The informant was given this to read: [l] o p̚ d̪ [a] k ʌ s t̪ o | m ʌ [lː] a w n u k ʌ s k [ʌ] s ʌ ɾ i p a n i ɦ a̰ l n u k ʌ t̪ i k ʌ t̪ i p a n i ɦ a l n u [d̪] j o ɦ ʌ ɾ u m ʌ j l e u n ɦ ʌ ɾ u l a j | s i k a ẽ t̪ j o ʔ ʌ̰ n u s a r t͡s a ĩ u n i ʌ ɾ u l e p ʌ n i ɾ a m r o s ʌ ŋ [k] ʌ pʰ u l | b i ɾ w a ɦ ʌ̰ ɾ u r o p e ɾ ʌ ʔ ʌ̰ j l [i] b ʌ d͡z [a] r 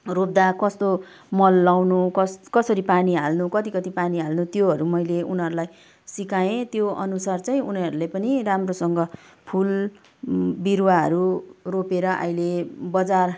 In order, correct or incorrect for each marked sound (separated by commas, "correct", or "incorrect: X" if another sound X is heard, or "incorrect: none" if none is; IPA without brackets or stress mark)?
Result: incorrect: r, correct, correct, correct, incorrect: t̪, incorrect: ɡ, incorrect: e, correct